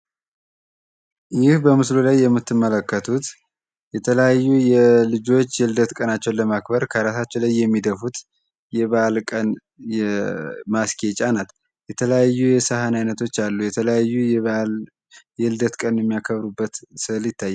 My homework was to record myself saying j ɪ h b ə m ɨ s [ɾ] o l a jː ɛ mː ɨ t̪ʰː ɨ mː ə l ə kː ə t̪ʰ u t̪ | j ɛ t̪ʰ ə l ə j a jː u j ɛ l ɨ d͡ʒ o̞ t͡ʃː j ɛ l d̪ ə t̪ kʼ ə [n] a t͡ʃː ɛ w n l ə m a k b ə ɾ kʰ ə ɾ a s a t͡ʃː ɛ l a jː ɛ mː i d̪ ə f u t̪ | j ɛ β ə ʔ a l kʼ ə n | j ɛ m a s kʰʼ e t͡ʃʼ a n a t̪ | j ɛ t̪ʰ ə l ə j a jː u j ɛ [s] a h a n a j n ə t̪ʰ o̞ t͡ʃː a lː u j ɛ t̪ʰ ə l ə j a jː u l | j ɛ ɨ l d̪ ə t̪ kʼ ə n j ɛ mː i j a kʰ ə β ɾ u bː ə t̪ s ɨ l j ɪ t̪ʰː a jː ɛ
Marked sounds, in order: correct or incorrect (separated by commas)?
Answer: incorrect, correct, correct